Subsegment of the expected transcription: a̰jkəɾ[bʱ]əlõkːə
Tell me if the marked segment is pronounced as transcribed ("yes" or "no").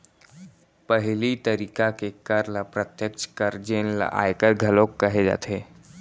no